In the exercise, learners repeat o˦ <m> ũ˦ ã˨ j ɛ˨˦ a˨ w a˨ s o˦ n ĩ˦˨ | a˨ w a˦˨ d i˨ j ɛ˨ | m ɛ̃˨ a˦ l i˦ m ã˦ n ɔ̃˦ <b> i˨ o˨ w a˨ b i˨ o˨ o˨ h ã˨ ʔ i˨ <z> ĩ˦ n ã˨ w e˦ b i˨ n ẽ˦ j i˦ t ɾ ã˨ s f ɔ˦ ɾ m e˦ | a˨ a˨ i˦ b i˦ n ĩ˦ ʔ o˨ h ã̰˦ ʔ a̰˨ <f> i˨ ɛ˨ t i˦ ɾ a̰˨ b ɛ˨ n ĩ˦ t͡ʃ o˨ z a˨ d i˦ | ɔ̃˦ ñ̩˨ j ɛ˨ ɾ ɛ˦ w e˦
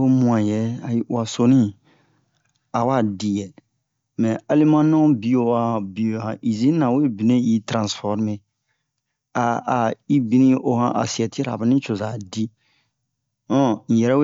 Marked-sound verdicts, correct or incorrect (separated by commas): correct, correct, correct, incorrect